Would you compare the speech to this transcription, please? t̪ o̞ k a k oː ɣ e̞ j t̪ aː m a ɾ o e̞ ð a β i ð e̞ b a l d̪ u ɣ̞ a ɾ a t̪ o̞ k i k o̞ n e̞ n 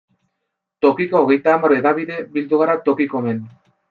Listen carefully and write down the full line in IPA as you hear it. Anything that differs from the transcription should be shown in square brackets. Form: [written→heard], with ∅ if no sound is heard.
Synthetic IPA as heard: t̪ o̞ k [a→i] k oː ɣ e̞ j t̪ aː m a ɾ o e̞ ð a β i ð e̞ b [a→i] l d̪ u ɣ̞ a ɾ a t̪ o̞ k i k o̞ [n→m] e̞ n